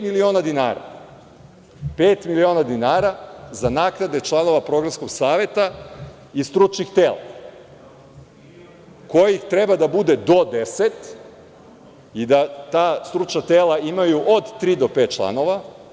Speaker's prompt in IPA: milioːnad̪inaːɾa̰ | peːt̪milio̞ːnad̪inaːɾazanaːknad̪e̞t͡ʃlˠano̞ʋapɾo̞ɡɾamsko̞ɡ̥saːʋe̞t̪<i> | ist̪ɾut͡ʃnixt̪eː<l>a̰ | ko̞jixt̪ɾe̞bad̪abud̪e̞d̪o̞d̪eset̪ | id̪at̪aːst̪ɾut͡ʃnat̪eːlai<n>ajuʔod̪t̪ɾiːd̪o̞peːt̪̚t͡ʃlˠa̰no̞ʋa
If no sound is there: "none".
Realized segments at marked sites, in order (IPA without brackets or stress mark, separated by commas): a, l, m